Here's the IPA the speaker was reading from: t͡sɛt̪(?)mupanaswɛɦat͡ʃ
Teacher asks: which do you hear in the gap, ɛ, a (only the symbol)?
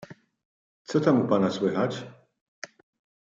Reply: a